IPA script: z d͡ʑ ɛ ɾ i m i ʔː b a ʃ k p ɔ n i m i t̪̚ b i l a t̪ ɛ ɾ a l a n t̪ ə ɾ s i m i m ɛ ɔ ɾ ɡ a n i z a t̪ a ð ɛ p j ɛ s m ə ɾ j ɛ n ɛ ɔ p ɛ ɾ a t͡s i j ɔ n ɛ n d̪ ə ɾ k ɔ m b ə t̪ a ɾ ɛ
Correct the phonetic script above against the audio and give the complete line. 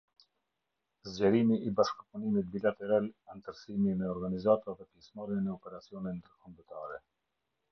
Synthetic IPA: z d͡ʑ ɛ ɾ i m i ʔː b a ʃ k p u n i m i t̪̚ b i l a t̪ ɛ ɾ a l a n t̪ ə ɾ s i m i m ɛ ɔ ɾ ɡ a n i z a t̪ a ð ɛ p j ɛ s m a ɾ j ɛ n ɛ ɔ p ɛ ɾ a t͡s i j ɔ n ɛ n d̪ ə ɾ k ɔ m b ə t̪ a ɾ ɛ